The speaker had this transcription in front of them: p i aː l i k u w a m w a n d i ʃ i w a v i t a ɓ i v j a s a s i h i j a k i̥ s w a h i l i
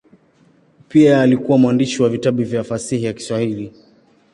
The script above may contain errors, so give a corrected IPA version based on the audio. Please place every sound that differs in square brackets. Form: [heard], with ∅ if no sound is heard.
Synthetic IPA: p i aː l i k u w a m w a n d i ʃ i w a v i t a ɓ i v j a [f] a s i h i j a k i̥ s w a h i l i